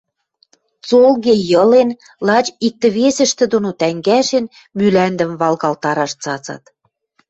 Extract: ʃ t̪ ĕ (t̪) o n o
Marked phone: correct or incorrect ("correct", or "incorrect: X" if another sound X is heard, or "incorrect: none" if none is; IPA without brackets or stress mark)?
incorrect: d̪